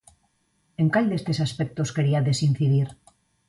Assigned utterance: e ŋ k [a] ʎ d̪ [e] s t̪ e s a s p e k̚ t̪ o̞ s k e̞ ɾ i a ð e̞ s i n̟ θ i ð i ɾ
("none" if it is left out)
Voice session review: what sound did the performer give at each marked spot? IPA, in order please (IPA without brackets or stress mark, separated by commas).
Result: a, e